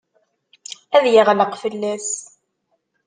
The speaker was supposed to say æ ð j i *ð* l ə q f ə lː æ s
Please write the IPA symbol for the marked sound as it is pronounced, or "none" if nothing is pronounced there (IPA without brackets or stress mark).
ʁ